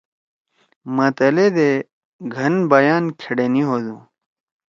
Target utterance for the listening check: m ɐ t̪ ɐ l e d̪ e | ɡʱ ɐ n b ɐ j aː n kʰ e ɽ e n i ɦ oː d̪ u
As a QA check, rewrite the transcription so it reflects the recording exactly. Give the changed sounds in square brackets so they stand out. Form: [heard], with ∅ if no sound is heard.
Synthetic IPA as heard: m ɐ t̪ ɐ l e d̪ e | ɡʱ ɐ n b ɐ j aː n kʰ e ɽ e n i ɦ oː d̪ u